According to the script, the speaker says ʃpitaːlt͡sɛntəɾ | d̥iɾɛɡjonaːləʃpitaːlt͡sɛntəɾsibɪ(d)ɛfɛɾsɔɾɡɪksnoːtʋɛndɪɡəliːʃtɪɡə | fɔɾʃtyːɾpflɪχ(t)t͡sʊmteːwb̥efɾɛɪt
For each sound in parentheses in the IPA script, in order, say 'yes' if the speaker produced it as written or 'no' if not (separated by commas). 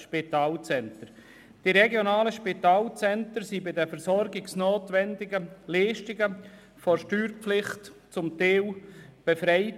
yes, yes